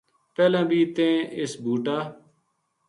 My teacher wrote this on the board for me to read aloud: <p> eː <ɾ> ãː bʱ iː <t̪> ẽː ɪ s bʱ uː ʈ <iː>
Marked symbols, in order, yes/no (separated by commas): yes, no, yes, no